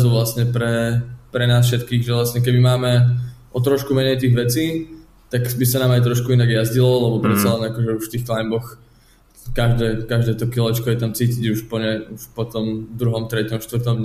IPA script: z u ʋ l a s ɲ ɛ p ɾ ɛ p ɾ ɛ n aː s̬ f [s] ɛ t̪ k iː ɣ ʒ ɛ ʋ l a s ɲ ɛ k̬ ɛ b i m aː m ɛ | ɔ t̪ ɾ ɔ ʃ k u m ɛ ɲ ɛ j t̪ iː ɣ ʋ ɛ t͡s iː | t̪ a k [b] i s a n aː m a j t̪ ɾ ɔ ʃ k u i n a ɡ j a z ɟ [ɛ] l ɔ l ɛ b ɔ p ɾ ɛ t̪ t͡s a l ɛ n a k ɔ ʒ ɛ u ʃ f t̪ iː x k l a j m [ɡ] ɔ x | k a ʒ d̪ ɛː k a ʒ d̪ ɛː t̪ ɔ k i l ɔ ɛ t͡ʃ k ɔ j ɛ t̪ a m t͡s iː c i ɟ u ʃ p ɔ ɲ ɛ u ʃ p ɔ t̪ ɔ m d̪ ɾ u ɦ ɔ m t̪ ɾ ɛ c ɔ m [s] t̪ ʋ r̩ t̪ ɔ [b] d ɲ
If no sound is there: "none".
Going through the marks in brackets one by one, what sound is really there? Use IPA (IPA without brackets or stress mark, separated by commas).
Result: ʃ, b, i, b, ʃ, m